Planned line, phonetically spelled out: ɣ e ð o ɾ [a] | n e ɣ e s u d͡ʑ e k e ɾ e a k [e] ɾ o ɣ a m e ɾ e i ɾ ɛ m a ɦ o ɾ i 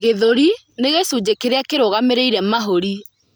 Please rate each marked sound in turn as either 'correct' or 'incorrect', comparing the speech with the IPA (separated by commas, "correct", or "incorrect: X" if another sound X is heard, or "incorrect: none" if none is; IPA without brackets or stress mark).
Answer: incorrect: i, correct